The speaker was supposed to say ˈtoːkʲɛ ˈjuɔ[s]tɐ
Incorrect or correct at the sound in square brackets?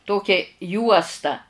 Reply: correct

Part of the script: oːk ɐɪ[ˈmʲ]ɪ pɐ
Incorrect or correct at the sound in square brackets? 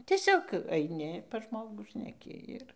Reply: incorrect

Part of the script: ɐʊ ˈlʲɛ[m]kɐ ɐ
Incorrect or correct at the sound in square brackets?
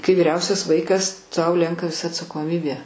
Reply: incorrect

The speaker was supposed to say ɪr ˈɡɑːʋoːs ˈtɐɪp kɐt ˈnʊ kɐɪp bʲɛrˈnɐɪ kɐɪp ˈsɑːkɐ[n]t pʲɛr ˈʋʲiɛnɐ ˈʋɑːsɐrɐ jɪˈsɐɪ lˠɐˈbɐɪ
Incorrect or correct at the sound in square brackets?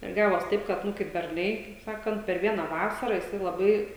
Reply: correct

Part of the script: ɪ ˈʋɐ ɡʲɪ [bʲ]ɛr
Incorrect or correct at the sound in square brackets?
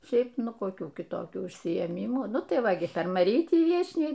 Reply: incorrect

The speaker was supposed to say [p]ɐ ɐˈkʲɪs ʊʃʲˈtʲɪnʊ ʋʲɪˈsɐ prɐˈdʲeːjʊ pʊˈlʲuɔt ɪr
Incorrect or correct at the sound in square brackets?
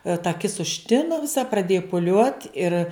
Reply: incorrect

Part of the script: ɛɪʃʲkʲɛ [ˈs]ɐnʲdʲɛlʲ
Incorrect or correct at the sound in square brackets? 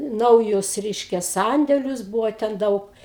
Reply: correct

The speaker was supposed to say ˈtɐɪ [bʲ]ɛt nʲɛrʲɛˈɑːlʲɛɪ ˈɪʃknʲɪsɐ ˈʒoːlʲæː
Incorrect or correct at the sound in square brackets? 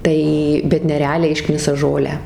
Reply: correct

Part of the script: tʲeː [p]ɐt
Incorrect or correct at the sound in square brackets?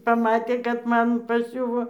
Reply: incorrect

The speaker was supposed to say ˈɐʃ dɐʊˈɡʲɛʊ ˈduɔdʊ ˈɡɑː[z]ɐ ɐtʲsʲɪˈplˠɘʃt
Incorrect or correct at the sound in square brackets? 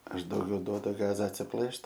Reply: correct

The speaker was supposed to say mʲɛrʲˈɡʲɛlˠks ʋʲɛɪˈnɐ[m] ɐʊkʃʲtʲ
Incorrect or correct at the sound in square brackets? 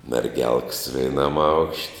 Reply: correct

